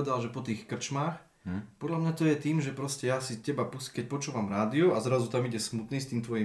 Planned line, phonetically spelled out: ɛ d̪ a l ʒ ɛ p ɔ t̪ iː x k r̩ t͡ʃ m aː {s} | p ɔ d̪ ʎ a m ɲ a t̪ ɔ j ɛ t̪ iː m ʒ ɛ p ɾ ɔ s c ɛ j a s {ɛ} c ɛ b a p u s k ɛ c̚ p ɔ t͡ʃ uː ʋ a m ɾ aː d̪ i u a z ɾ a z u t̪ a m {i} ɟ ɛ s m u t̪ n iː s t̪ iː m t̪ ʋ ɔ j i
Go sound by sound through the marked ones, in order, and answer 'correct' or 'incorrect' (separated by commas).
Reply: incorrect, incorrect, correct